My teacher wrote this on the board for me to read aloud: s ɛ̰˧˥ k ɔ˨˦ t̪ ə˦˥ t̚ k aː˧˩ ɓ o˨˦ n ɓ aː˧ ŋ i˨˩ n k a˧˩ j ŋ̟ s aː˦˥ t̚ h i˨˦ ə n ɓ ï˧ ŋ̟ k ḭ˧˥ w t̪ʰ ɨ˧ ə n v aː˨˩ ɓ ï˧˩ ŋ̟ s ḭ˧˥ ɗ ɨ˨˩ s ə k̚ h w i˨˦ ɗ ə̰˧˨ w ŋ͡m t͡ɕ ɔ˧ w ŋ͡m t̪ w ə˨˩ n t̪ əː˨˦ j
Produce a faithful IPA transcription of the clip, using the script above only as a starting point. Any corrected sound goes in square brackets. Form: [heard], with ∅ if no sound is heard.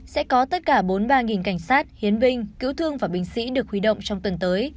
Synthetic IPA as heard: s ɛ̰˧˥ k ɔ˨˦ t̪ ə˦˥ t̚ k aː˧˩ ɓ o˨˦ n ɓ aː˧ ŋ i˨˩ n k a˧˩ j ŋ̟ s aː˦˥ t̚ h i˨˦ ə n ɓ ï˧ ŋ̟ k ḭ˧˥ w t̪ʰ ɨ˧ ə [ŋ] v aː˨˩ ɓ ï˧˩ ŋ̟ s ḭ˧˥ ɗ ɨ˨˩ [∅] ə k̚ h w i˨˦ ɗ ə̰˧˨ w ŋ͡m t͡ɕ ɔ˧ w ŋ͡m t̪ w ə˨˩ n t̪ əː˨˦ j